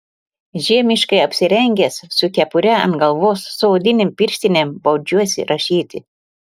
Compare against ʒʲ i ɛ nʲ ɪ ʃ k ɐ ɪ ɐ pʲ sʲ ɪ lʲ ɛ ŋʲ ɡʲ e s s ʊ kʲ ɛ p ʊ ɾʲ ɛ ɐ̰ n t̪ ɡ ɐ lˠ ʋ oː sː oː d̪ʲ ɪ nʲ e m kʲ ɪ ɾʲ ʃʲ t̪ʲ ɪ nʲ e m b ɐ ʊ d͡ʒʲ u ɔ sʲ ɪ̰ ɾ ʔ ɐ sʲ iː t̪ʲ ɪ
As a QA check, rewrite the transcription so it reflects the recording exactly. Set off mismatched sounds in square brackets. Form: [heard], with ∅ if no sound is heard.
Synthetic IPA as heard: ʒʲ i ɛ [mʲ] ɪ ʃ k ɐ ɪ ɐ pʲ sʲ ɪ [ɾʲ] ɛ ŋʲ ɡʲ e s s ʊ kʲ ɛ p ʊ ɾʲ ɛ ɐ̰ n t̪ ɡ ɐ lˠ ʋ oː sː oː d̪ʲ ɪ nʲ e m [pʲ] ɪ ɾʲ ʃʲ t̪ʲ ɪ nʲ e m b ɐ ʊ d͡ʒʲ u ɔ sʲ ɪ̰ ɾ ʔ ɐ [ʃʲ] iː t̪ʲ ɪ